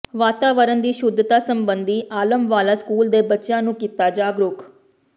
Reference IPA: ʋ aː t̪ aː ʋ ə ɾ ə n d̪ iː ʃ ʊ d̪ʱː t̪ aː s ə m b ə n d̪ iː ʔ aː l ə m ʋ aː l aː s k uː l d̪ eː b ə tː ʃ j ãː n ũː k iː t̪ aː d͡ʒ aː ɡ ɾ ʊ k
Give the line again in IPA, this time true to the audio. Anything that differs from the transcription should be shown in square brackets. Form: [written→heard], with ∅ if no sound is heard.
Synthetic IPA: ʋ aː t̪ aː ʋ ə ɾ ə n d̪ iː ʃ ʊ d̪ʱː t̪ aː s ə m b ə n d̪ iː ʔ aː l ə m ʋ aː l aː s k uː l d̪ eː b ə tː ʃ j ãː n ũː k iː t̪ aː d͡ʒ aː ɡ ɾ ʊ k

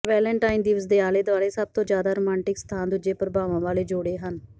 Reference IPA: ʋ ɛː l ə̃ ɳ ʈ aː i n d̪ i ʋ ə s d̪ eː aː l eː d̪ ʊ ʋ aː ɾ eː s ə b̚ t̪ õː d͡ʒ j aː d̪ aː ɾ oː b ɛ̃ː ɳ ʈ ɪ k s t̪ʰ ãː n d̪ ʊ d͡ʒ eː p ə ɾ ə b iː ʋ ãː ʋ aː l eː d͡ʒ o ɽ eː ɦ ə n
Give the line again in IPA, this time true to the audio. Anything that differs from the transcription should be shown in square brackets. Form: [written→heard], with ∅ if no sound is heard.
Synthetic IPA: ʋ ɛː l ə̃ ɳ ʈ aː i n d̪ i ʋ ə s d̪ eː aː l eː d̪ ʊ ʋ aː ɾ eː s ə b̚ t̪ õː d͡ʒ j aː d̪ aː ɾ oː [b→m] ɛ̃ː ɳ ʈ ɪ k s t̪ʰ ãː n d̪ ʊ d͡ʒ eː p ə ɾ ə b [iː→aː] ʋ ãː ʋ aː l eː d͡ʒ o ɽ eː ɦ ə n

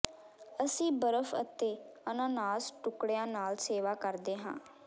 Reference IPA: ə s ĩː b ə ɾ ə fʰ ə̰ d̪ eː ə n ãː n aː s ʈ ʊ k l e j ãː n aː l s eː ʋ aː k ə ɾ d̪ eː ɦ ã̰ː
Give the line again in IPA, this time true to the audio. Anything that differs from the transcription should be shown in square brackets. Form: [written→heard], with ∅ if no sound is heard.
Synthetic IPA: ə s ĩː b ə ɾ ə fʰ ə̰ [d̪→t̪] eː ə n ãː n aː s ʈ ʊ k [l→ɽ] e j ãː n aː l s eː ʋ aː k ə ɾ d̪ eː ɦ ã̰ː

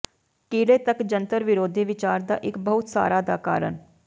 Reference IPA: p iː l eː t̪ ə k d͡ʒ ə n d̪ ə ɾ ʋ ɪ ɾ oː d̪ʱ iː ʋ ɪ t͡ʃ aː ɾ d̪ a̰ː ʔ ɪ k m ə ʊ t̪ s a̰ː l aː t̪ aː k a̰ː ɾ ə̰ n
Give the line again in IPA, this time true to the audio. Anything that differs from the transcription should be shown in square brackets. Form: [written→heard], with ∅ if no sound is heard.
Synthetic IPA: [p→k] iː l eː t̪ ə k d͡ʒ ə n [d̪→t̪] ə ɾ ʋ ɪ ɾ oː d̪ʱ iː ʋ ɪ t͡ʃ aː ɾ d̪ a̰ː ʔ ɪ k [m→b] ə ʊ t̪ s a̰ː [l→ɾ] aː [t̪→d̪] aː k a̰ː ɾ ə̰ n

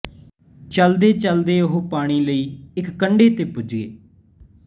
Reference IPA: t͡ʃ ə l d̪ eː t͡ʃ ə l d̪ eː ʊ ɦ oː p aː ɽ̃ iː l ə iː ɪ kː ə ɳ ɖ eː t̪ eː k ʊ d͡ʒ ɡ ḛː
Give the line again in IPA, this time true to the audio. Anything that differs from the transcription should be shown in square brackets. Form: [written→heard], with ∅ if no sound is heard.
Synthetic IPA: t͡ʃ ə l d̪ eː t͡ʃ ə l d̪ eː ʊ ɦ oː p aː ɽ̃ iː l ə iː ɪ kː ə ɳ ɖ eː t̪ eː [k→p] ʊ d͡ʒ ɡ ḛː

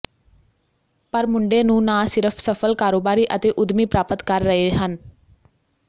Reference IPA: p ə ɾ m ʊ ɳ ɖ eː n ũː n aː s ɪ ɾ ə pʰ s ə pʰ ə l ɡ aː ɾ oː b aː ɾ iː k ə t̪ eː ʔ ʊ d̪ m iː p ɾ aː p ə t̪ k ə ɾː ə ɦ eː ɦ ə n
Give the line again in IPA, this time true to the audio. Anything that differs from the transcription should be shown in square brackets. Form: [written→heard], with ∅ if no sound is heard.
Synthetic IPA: p ə ɾ m ʊ ɳ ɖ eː n ũː n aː s ɪ ɾ ə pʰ s ə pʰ ə l [ɡ→k] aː ɾ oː b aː ɾ iː [k→ʔ] ə t̪ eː ʔ ʊ d̪ m iː p ɾ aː p ə t̪ k ə ɾː ə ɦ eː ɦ ə n

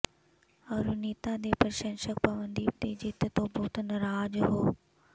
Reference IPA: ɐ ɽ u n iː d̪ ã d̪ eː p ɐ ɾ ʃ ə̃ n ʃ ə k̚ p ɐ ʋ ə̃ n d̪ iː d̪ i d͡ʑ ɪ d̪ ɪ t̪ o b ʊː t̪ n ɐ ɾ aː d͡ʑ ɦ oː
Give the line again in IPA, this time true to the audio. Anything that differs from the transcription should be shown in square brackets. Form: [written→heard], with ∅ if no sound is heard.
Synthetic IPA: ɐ [ɽ→ɾ] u n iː [d̪→t̪] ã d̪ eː p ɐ ɾ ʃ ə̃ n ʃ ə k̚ p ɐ ʋ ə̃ n d̪ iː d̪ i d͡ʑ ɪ [d̪→t̪] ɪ t̪ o b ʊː t̪ n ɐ ɾ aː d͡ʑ ɦ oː

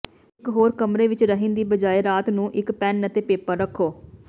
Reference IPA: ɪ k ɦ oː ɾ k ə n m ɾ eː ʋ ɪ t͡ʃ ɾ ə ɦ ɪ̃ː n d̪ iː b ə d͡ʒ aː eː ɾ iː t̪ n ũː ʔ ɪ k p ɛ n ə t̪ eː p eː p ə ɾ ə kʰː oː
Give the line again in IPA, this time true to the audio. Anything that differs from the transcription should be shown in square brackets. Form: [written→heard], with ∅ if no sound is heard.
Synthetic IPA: ɪ k ɦ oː ɾ k ə [n→∅] m ɾ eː ʋ ɪ t͡ʃ ɾ ə ɦ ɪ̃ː n d̪ iː b ə d͡ʒ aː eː ɾ [iː→aː] t̪ n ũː ʔ ɪ k p ɛ n ə t̪ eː p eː p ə ɾ ə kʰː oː

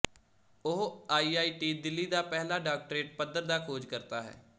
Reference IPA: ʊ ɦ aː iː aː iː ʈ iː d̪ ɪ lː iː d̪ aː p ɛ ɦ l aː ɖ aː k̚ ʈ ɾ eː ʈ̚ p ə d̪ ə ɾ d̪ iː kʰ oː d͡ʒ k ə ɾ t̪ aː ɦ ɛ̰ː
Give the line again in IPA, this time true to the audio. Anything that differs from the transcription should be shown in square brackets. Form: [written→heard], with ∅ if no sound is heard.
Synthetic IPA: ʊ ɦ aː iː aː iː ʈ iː d̪ ɪ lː iː d̪ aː p ɛ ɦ l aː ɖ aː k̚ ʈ ɾ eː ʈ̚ p ə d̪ ə ɾ d̪ [iː→aː] kʰ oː d͡ʒ k ə ɾ t̪ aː ɦ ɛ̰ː

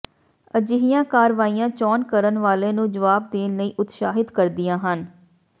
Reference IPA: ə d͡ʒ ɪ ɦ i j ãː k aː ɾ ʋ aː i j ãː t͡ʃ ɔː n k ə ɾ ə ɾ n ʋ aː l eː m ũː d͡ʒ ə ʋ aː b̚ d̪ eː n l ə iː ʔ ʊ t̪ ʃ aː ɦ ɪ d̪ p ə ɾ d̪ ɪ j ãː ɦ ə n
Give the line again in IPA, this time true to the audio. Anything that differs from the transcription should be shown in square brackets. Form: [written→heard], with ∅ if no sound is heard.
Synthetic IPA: ə d͡ʒ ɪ ɦ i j ãː k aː ɾ ʋ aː i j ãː t͡ʃ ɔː n k ə ɾ ə [ɾ→∅] n ʋ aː l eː [m→n] ũː d͡ʒ ə ʋ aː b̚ d̪ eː n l ə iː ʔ ʊ t̪ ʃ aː ɦ ɪ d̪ [p→k] ə ɾ d̪ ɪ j ãː ɦ ə n

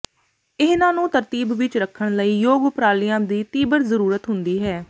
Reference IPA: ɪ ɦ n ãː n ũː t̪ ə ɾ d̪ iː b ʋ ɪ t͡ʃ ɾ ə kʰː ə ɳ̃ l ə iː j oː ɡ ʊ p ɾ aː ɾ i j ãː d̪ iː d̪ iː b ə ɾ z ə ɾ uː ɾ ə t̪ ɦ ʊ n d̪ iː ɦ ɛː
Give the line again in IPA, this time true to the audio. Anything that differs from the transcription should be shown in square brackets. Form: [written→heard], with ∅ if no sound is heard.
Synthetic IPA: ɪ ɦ n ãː n ũː t̪ ə ɾ [d̪→t̪] iː b ʋ ɪ t͡ʃ ɾ ə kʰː ə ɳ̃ l ə iː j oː ɡ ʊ p ɾ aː [ɾ→l] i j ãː d̪ iː [d̪→t̪] iː b ə ɾ z ə ɾ uː ɾ ə t̪ ɦ ʊ n d̪ iː ɦ ɛː

